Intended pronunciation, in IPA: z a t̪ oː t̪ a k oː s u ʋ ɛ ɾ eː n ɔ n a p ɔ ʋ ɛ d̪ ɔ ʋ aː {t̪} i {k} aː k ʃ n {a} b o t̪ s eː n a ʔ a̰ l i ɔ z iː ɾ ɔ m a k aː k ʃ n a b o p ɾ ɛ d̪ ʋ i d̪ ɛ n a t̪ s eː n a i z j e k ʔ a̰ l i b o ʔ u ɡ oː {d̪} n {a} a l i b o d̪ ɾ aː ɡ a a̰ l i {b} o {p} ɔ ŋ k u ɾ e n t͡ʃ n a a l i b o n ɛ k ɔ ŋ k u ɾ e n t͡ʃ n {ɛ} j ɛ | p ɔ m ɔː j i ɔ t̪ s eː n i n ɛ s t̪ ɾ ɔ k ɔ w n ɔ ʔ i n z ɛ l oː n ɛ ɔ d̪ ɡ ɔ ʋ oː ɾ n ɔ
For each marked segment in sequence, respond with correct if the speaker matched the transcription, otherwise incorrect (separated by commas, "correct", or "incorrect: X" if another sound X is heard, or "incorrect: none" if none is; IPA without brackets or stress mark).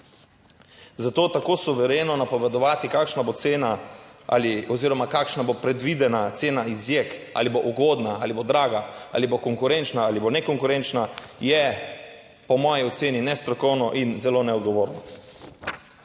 correct, correct, correct, correct, correct, correct, incorrect: k, incorrect: a